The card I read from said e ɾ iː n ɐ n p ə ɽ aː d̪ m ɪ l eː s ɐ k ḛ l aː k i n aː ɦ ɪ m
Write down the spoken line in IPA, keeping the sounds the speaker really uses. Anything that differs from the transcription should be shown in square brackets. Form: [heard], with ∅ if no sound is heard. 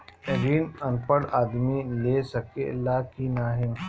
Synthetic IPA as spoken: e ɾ iː n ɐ n p ə ɽ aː d̪ m [i] l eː s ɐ k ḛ l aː k i n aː ɦ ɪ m